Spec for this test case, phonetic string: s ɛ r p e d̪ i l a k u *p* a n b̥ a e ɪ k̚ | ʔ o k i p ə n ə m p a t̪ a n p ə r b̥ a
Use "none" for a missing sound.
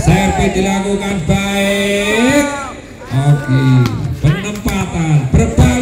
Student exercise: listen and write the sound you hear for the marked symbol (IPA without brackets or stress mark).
k